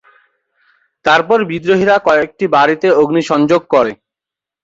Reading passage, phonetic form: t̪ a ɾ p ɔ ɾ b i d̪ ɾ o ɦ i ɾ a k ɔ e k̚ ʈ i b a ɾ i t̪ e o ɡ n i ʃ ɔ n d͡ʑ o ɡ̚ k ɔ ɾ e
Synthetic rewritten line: t̪ a ɾ p ɔ ɾ b i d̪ ɾ o ɦ i ɾ a k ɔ e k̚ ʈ i b a ɾ i t̪ e o ɡ n i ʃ ɔ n d͡ʑ o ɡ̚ k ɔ ɾ e

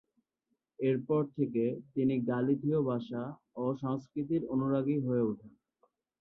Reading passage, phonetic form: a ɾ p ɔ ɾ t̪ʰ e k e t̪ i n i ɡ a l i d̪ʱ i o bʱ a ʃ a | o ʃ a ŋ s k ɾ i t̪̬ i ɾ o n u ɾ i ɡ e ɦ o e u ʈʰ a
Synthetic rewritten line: e ɾ p ɔ ɾ t̪ʰ e k e t̪ i n i ɡ a l i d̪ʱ i o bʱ a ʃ a | o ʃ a ŋ s k ɾ i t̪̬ i ɾ o n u ɾ a ɡ i ɦ o e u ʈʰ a

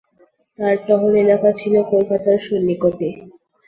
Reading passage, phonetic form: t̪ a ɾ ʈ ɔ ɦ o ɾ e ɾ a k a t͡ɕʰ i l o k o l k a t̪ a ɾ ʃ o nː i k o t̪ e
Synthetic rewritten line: t̪ a ɾ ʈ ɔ ɦ o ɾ e l a k a t͡ɕʰ i l o k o l k a t̪ a ɾ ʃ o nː i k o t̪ e

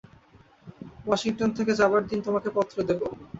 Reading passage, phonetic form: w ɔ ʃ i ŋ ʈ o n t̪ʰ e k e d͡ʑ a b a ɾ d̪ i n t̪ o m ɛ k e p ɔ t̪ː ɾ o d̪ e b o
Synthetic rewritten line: w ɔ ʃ i ŋ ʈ o n t̪ʰ e k e d͡ʑ a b a ɾ d̪ i n t̪ o m a k e p ɔ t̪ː ɾ o d̪ e b o

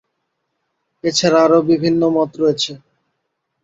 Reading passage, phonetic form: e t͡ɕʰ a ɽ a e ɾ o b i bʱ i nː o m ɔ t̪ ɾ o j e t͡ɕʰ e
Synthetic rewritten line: e t͡ɕʰ a ɾ a a ɾ o b i bʱ i nː o m ɔ t̪ ɾ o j e t͡ɕʰ e

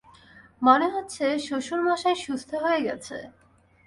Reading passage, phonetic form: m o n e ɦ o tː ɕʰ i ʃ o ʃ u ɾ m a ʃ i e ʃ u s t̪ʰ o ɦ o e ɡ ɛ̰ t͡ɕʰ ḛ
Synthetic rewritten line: m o n e ɦ o tː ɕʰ e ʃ o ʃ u ɾ m a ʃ a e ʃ u s t̪ʰ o ɦ o e ɡ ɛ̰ t͡ɕʰ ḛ

